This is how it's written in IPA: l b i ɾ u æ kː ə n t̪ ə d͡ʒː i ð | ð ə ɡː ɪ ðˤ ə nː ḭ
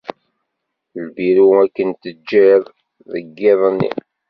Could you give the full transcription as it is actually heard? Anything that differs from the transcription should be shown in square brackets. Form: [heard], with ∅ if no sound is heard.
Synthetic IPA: l b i ɾ u æ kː ə n t̪ ə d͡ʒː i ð | ð ə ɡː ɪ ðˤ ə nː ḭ